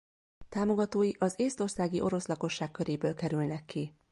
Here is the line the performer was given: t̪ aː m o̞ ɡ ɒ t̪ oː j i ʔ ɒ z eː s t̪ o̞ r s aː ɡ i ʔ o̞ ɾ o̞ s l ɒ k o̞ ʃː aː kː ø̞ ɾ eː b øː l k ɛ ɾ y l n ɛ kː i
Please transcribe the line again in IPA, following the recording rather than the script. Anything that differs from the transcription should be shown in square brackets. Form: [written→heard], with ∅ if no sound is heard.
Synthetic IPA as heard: t̪ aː m o̞ ɡ ɒ t̪ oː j i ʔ ɒ z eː s t̪ o̞ r s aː ɡ i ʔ o̞ ɾ o̞ s l ɒ k o̞ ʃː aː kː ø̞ ɾ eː b øː l k ɛ ɾ y l n ɛ kː i